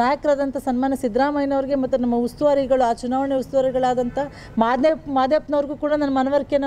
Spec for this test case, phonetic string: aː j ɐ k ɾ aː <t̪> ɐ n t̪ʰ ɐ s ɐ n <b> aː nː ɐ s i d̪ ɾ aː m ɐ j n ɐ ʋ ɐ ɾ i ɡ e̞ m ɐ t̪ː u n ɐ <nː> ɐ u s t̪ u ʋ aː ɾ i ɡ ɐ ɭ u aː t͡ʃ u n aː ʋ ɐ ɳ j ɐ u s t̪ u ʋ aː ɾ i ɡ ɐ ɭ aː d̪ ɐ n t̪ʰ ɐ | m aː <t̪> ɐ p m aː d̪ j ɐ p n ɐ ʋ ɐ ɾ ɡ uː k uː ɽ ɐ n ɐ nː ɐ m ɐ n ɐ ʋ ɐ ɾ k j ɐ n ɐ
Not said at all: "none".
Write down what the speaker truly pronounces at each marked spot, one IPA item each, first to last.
d̪, m, mː, d̪

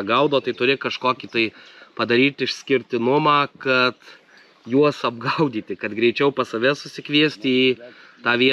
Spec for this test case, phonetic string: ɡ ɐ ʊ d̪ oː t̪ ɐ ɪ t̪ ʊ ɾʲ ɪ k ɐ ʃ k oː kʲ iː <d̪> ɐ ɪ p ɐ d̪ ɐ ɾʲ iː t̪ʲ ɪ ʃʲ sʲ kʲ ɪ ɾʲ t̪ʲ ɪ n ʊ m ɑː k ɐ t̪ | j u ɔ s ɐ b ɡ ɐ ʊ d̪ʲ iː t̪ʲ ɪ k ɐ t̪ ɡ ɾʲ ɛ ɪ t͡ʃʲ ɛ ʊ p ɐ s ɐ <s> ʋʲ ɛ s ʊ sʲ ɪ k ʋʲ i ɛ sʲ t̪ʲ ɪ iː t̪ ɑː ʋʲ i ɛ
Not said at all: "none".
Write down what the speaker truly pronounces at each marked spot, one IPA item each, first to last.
t̪, none

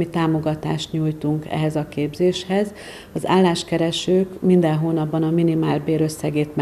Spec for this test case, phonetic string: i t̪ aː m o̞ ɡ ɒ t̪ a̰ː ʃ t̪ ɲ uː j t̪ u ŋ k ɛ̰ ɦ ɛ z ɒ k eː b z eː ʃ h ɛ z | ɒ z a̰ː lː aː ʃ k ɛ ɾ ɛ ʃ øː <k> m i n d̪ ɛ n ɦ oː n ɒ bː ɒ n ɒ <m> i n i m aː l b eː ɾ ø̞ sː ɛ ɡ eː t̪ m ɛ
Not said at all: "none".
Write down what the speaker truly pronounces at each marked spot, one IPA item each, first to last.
k, m

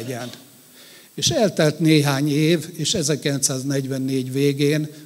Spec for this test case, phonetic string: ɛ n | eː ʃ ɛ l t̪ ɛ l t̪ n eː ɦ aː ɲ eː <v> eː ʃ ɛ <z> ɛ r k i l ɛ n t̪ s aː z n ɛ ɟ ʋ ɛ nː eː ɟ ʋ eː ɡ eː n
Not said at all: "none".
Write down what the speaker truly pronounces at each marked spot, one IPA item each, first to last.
v, z

